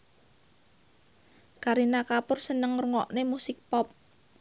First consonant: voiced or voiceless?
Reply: voiceless